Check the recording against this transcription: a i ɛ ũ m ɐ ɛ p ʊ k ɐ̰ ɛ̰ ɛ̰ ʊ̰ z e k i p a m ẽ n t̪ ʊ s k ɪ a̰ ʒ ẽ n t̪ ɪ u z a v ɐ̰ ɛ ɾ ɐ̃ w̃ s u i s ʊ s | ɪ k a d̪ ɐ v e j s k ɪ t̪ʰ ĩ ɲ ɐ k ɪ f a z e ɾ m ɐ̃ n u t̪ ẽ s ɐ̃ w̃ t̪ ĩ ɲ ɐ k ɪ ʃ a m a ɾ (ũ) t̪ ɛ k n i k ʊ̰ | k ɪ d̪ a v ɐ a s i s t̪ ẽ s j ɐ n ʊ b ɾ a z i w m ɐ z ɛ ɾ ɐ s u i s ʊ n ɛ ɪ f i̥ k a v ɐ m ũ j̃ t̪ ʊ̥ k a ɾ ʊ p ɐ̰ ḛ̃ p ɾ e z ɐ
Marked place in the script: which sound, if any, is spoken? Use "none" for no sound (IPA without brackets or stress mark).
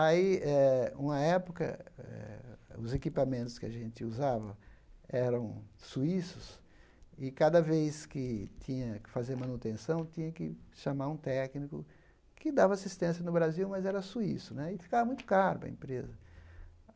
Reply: ũ